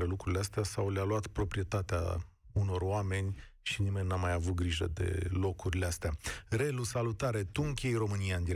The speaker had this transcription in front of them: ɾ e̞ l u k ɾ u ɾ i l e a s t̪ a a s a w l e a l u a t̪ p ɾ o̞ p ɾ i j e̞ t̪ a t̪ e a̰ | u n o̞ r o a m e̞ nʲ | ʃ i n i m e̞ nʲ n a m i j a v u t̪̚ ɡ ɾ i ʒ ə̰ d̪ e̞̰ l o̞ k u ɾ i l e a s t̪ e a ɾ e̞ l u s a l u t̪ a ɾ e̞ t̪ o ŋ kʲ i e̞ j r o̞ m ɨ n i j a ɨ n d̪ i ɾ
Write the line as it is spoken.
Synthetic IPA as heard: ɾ e̞ l u k ɾ u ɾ i l e a s t̪ e a s a w l e a l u a t̪ p ɾ o̞ p ɾ i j e̞ t̪ a t̪ e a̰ | u n o̞ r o a m e̞ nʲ | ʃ i n i m e̞ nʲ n a m a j a v u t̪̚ ɡ ɾ i ʒ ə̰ d̪ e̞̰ l o̞ k u ɾ i l e a s t̪ e a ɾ e̞ l u s a l u t̪ a ɾ e̞ t̪ u ŋ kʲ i e̞ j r o̞ m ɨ n i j a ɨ n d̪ i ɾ